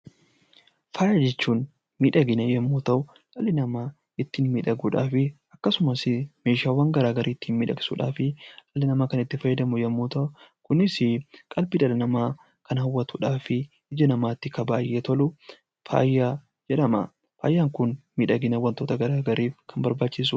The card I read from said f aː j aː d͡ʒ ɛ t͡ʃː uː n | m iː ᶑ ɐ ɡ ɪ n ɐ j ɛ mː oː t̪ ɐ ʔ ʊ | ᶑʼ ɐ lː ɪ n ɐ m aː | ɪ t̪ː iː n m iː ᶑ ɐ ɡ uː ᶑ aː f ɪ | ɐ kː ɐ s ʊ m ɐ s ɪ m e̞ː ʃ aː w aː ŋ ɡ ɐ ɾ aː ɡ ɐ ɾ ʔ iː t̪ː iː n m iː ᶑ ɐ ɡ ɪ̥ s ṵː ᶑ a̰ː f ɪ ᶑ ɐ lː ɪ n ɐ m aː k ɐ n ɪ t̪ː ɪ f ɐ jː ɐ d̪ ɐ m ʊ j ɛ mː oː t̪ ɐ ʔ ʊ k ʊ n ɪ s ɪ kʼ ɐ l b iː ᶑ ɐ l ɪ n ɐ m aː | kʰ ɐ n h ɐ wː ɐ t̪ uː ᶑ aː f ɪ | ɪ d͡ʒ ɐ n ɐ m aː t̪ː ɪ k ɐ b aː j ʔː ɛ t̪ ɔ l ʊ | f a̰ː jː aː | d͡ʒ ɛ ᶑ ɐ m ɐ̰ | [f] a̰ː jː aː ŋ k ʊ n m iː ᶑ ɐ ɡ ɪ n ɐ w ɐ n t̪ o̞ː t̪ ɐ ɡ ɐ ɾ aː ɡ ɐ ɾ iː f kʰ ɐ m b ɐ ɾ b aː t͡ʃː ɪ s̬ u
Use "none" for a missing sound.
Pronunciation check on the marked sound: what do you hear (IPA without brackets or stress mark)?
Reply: f